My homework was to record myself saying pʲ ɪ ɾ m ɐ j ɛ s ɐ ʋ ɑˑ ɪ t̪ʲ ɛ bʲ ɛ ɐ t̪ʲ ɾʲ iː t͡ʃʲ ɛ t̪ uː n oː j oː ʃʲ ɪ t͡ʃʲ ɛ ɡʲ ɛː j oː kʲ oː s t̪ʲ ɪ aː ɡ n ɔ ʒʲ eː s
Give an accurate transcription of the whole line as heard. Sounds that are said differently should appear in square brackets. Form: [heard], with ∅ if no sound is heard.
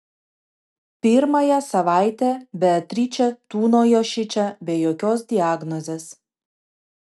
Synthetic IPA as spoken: pʲ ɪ ɾ m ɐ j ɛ s ɐ ʋ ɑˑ ɪ t̪ʲ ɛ bʲ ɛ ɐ t̪ʲ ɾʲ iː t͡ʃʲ ɛ t̪ uː n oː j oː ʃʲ ɪ t͡ʃʲ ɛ [bʲ] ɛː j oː kʲ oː s [d̪ʲ] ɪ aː ɡ n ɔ [zʲ] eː s